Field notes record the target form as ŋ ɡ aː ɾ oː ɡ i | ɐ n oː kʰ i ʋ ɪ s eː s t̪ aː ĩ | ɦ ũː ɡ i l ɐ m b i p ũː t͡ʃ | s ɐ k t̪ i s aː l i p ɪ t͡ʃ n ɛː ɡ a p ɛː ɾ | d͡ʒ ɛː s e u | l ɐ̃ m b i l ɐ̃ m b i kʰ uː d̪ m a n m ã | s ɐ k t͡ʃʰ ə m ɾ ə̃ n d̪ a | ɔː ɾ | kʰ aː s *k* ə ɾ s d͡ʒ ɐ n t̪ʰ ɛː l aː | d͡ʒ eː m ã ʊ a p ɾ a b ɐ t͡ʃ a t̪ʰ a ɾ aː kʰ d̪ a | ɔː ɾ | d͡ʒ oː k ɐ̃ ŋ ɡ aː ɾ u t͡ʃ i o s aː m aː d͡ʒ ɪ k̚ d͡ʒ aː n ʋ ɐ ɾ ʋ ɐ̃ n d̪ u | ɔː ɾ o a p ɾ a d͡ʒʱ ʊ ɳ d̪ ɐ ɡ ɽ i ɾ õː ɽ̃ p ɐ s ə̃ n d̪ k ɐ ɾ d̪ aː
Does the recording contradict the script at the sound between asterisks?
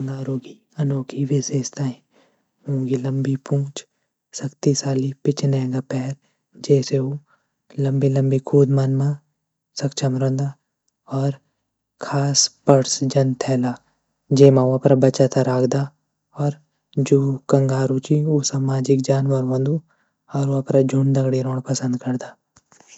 yes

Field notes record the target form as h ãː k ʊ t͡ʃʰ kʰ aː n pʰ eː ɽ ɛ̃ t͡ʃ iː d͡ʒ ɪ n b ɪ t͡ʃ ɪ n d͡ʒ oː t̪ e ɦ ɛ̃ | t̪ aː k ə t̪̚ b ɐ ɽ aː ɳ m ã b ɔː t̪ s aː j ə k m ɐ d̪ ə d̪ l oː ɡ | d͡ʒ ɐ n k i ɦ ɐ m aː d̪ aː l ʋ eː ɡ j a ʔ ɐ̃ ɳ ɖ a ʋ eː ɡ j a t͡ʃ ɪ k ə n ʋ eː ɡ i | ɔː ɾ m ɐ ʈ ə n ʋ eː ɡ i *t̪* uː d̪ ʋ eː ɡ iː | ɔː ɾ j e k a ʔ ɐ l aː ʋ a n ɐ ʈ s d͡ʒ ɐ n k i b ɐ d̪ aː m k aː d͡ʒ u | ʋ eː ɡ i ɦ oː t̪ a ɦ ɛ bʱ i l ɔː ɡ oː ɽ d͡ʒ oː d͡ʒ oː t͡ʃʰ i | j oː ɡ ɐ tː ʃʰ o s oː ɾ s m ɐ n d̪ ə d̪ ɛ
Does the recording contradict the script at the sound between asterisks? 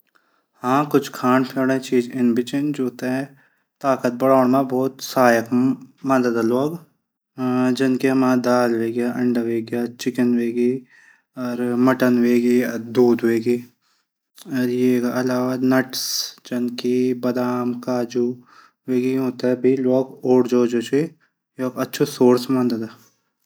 yes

